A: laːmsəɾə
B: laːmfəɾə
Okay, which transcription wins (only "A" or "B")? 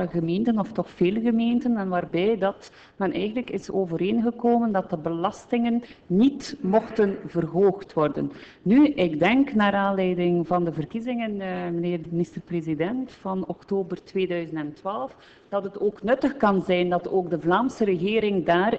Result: A